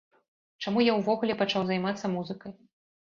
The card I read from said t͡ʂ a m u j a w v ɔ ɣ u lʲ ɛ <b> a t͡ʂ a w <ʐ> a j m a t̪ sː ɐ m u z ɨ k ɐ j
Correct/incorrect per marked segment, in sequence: incorrect, incorrect

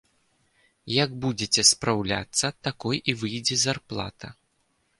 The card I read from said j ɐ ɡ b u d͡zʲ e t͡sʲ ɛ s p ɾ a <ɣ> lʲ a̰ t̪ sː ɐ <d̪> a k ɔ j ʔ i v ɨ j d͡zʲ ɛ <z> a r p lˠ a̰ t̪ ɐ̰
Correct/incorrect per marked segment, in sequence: incorrect, incorrect, correct

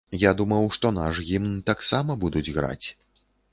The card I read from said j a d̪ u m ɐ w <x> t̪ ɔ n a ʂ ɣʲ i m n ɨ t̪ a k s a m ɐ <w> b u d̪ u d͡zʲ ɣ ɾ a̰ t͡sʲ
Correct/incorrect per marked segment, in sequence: incorrect, incorrect

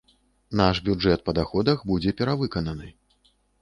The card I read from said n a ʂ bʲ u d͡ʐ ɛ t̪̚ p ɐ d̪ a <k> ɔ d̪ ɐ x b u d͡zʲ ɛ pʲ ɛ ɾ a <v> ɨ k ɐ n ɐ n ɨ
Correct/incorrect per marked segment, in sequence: incorrect, correct

